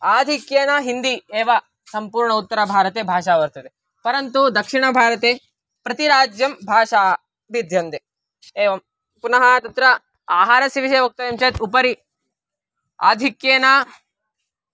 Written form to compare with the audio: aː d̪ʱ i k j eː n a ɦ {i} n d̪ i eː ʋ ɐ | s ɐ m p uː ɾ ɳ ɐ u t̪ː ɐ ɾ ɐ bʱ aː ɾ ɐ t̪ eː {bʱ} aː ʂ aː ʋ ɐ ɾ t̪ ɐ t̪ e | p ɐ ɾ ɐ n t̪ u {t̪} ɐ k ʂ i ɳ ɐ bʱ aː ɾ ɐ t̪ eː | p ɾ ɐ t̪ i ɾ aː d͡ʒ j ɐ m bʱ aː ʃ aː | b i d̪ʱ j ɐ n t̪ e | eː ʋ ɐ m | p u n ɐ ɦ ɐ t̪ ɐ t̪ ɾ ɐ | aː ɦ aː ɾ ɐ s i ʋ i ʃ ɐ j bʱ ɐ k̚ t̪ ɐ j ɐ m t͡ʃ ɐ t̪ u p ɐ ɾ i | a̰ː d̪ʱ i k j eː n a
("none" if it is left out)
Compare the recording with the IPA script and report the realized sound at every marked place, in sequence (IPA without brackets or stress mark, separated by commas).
i, bʱ, d̪